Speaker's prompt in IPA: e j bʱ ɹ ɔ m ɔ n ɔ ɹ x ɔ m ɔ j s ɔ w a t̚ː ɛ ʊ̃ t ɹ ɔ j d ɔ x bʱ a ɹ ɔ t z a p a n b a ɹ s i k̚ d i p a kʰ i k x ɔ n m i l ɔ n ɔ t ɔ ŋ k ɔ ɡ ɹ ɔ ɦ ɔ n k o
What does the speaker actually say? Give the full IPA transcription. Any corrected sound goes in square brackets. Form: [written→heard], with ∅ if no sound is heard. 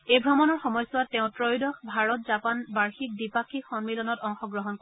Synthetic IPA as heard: e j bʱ ɹ ɔ m ɔ n ɔ ɹ x ɔ m ɔ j s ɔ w a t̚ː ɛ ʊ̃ t ɹ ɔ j d ɔ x bʱ a ɹ ɔ t z a p a n b a ɹ [s→x] i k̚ d i p a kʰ i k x ɔ n m i l ɔ n ɔ t ɔ ŋ [k→x] ɔ ɡ ɹ ɔ ɦ ɔ n k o

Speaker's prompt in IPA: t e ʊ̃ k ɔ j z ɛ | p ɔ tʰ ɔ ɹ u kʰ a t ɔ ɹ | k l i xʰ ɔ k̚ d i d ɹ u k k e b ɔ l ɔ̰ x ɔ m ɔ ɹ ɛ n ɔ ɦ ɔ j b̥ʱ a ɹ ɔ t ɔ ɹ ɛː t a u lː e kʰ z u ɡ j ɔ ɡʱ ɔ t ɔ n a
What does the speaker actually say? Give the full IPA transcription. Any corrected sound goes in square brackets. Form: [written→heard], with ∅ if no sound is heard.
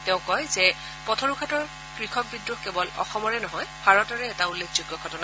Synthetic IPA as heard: t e ʊ̃ k ɔ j z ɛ | p ɔ tʰ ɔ ɹ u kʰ a t ɔ ɹ | k [l→ɹ] i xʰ ɔ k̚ [d→b] i d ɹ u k k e b ɔ l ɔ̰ x ɔ m ɔ ɹ ɛ n ɔ ɦ ɔ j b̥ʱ a ɹ ɔ t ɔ ɹ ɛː t a u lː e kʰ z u ɡ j ɔ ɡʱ ɔ t ɔ n a

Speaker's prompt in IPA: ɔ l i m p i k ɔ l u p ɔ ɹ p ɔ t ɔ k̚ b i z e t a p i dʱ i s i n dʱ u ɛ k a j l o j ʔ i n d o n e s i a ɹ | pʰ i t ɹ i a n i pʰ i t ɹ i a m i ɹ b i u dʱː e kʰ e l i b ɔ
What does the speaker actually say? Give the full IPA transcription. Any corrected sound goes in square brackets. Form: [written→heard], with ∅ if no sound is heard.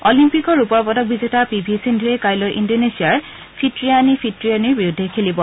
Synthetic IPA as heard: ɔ l i m p i k ɔ [l→ɹ] u p ɔ ɹ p ɔ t ɔ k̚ b i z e t a p i [dʱ→bʱ] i s i n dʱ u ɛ k a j l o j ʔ i n d o n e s i a ɹ | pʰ i t ɹ i a n i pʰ i t ɹ i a [m→n] i ɹ b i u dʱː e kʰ e l i b ɔ

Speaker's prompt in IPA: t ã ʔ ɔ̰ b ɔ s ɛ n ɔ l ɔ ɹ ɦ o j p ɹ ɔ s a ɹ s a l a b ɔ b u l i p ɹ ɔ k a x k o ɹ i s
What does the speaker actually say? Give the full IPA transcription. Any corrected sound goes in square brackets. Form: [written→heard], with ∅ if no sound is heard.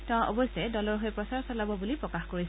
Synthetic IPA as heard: t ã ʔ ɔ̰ b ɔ s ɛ [n→d] ɔ l ɔ ɹ ɦ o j p ɹ ɔ s a ɹ s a l a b ɔ b u l i p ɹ ɔ k a x k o ɹ i s

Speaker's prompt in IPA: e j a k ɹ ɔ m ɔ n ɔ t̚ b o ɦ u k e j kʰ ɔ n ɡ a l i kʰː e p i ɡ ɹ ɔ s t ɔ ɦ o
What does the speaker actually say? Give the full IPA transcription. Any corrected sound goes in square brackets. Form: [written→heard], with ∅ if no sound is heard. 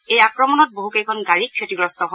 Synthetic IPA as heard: e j a k ɹ ɔ m ɔ n ɔ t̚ b o ɦ u k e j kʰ ɔ n ɡ a [l→ɹ] i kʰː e [p→t] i ɡ ɹ ɔ s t ɔ ɦ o

